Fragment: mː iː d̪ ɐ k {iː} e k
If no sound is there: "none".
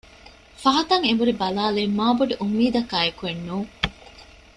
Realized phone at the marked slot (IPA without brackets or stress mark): aː